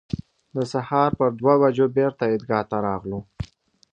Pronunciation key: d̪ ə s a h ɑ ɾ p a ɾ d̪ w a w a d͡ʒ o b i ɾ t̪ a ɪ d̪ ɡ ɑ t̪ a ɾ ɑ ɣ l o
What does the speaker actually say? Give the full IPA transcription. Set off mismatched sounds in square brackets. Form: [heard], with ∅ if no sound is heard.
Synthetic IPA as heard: d̪ ə s a h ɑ ɾ p [ə] ɾ d̪ w a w a d͡ʒ o b [e] ɾ t̪ a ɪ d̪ ɡ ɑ t̪ a ɾ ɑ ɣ l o